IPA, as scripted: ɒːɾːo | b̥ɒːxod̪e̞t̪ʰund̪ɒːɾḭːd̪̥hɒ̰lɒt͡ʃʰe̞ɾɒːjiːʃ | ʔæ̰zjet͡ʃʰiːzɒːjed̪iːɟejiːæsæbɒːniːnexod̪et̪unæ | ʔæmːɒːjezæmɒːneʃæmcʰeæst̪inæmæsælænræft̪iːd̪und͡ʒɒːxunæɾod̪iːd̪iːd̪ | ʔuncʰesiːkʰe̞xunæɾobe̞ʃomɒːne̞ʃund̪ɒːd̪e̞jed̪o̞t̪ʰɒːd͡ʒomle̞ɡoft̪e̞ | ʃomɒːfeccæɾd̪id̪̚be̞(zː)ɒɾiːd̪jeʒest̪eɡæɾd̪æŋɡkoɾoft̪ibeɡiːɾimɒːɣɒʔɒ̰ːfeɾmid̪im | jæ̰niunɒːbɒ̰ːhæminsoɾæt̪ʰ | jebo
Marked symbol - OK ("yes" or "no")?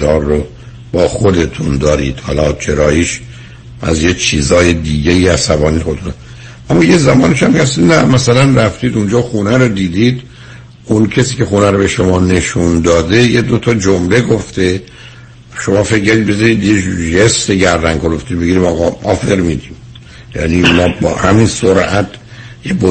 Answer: no